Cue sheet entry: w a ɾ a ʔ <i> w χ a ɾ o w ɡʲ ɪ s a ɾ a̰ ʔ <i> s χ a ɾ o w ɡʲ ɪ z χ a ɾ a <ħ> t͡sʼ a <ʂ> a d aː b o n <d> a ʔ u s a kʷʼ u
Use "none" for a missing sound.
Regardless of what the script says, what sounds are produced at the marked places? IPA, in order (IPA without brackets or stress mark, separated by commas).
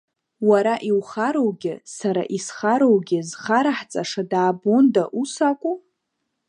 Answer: i, i, ħ, ʂ, d